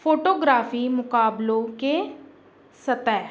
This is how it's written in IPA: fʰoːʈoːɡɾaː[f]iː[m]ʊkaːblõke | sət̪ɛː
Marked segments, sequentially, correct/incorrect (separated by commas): correct, correct